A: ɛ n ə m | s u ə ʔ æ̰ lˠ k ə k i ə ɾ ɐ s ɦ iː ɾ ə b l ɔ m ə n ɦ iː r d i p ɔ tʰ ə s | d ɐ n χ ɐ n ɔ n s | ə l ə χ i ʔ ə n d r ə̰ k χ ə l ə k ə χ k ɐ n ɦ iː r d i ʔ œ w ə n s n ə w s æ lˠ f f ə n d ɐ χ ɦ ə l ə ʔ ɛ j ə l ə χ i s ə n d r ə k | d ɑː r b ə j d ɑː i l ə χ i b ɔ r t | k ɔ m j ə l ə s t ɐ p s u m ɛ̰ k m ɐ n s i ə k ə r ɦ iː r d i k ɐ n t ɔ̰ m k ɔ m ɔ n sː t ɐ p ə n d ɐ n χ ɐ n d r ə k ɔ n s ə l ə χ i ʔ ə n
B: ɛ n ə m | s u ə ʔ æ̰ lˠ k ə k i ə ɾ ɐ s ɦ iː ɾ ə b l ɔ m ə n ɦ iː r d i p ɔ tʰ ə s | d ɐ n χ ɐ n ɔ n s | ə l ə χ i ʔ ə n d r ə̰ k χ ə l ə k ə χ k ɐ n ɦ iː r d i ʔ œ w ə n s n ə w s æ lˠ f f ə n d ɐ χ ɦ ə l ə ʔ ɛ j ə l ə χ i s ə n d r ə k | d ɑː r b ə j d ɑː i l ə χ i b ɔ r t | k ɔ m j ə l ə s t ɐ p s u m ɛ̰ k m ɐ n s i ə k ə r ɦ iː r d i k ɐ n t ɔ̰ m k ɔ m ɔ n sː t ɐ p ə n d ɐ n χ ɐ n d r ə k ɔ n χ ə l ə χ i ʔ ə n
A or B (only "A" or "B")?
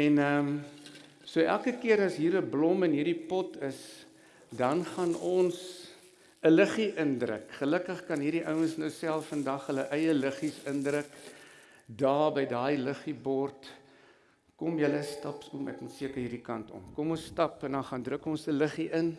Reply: A